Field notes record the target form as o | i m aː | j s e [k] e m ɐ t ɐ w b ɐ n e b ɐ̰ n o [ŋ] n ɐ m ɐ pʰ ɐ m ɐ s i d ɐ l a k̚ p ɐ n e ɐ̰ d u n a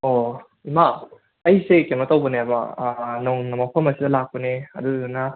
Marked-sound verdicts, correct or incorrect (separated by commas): correct, correct